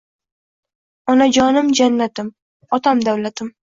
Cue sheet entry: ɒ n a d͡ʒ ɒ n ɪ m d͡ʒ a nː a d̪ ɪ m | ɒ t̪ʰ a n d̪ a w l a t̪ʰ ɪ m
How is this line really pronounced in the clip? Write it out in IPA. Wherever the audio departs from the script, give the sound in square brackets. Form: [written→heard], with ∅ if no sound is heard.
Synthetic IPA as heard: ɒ n a d͡ʒ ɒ n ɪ m d͡ʒ a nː a [d̪→t̪] ɪ m | ɒ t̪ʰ a [n→m] d̪ a w l a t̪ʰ ɪ m